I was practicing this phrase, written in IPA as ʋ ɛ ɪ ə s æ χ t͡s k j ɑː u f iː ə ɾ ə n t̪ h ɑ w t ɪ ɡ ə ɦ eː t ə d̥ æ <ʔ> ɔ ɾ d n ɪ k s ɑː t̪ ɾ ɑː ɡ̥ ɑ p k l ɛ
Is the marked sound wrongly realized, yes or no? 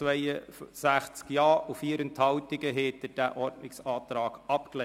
no